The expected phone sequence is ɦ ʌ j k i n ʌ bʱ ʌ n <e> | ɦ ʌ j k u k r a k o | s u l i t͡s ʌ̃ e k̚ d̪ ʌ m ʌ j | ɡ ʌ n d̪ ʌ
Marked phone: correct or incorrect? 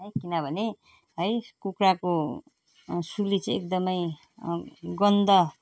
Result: correct